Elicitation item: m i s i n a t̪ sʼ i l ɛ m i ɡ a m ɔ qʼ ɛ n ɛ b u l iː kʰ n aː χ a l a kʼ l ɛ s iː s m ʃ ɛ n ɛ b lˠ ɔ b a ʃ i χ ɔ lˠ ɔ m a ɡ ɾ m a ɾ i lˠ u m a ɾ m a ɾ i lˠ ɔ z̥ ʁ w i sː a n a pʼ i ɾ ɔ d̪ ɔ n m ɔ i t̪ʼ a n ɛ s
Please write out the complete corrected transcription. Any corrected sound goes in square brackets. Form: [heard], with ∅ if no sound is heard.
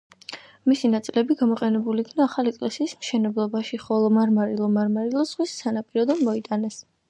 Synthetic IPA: m i s i n a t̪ sʼ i l ɛ [b] i ɡ a m ɔ qʼ ɛ n ɛ b u l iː kʰ n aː χ a l [i] kʼ l ɛ s iː s m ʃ ɛ n ɛ b lˠ ɔ b a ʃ i χ ɔ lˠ ɔ m a [∅] ɾ m a ɾ i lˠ [ɔ] m a ɾ m a ɾ i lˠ ɔ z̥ ʁ w i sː a n a pʼ i ɾ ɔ d̪ ɔ n m ɔ i t̪ʼ a n ɛ s

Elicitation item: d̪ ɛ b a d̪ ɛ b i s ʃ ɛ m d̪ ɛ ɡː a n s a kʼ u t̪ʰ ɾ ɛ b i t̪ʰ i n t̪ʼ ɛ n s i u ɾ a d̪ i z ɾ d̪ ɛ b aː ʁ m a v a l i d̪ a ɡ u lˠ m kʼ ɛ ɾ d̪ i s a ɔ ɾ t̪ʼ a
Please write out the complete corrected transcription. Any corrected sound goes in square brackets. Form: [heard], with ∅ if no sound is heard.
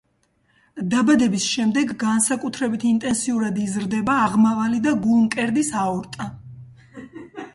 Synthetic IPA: d̪ [a] b a d̪ ɛ b i s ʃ ɛ m d̪ ɛ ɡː a n s a kʼ u t̪ʰ ɾ ɛ b i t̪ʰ i n t̪ʼ ɛ n s i u ɾ a d̪ i z ɾ d̪ ɛ b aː ʁ m a v a l i d̪ a ɡ u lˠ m kʼ ɛ ɾ d̪ i s a ɔ ɾ t̪ʼ a

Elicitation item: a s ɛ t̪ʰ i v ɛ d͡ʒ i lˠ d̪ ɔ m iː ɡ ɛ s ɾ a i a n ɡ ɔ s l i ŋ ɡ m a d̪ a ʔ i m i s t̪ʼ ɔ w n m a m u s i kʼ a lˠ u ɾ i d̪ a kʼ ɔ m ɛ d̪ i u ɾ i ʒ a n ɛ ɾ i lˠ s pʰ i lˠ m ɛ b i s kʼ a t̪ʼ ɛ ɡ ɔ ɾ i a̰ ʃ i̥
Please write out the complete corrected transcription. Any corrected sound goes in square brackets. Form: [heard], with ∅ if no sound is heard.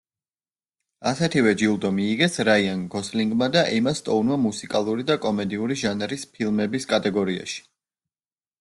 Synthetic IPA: a s ɛ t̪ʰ i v ɛ d͡ʒ i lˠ d̪ ɔ m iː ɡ ɛ s ɾ a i a n ɡ ɔ s l i ŋ ɡ m a d̪ a ʔ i m [a] s t̪ʼ ɔ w n m a m u s i kʼ a lˠ u ɾ i d̪ a kʼ ɔ m ɛ d̪ i u ɾ i ʒ a n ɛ ɾ i [∅] s pʰ i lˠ m ɛ b i s kʼ a t̪ʼ ɛ ɡ ɔ ɾ i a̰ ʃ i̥

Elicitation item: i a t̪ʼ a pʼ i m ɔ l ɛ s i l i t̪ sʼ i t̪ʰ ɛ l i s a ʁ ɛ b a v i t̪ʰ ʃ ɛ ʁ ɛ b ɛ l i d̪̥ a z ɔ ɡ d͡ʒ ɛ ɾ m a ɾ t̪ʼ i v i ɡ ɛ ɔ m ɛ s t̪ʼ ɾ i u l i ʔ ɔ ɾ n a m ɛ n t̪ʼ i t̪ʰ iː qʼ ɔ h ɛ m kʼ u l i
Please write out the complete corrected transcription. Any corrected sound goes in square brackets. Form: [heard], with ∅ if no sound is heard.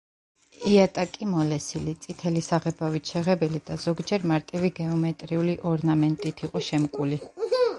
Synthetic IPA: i a t̪ʼ a [kʼ] i m ɔ l ɛ s i l i t̪ sʼ i t̪ʰ ɛ l i s a ʁ ɛ b a v i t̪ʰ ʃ ɛ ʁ ɛ b ɛ l i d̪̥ a z ɔ ɡ d͡ʒ ɛ ɾ m a ɾ t̪ʼ i v i ɡ ɛ ɔ m ɛ [∅] t̪ʼ ɾ i u l i ʔ ɔ ɾ n a m ɛ n t̪ʼ i t̪ʰ [i] qʼ ɔ [ʃ] ɛ m kʼ u l i

